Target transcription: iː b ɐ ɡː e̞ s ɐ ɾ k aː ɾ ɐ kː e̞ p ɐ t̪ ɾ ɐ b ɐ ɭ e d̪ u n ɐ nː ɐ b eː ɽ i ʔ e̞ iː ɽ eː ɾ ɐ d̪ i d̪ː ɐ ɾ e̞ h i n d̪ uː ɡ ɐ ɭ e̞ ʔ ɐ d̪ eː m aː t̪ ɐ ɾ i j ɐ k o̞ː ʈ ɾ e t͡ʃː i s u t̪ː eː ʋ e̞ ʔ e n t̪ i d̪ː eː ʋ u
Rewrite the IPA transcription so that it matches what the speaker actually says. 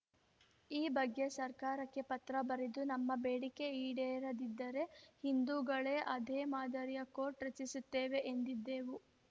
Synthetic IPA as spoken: iː b ɐ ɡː e̞ s ɐ ɾ k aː ɾ ɐ kː e̞ p ɐ t̪ ɾ ɐ b ɐ ɾ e d̪ u n ɐ mː ɐ b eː ɽ i k e̞ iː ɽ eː ɾ ɐ d̪ i d̪ː ɐ ɾ e̞ h i n d̪ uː ɡ ɐ ɭ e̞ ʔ ɐ d̪ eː m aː d̪ ɐ ɾ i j ɐ k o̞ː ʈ ɾ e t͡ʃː i s u t̪ː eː ʋ e̞ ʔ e n d̪ i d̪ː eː ʋ u